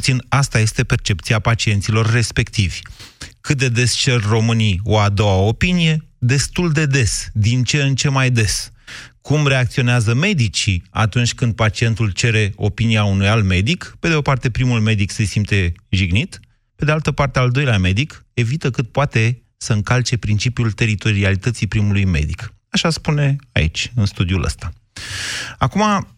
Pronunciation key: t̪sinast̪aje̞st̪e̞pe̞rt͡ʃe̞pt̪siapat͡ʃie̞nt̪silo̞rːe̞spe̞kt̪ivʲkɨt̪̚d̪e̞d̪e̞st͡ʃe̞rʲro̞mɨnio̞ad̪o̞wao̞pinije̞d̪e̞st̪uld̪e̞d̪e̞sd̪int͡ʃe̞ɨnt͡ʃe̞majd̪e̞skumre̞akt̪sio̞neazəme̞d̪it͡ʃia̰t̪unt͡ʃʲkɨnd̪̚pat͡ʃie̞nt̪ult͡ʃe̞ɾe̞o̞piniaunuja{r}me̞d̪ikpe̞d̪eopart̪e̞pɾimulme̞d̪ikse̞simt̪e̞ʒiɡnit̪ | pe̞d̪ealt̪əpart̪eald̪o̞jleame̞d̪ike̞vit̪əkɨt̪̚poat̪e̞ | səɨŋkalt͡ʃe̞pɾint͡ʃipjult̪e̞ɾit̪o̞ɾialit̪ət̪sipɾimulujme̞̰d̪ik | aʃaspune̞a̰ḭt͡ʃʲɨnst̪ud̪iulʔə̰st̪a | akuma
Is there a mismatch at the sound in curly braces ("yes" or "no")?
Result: yes